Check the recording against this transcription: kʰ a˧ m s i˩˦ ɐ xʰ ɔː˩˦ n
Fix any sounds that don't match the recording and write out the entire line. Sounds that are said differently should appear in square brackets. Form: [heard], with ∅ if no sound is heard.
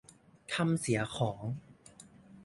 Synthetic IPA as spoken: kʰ a˧ m s i˩˦ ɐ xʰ ɔː˩˦ [ŋ]